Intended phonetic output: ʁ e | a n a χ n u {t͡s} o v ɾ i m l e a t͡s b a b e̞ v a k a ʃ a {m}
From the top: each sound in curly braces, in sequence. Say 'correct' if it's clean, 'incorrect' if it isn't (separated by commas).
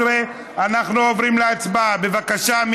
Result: incorrect, correct